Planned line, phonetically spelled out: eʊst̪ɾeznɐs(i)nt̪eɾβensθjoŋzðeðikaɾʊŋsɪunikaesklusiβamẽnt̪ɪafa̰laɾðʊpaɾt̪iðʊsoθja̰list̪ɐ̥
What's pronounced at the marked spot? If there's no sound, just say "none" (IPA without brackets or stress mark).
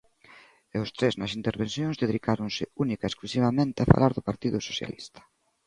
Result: i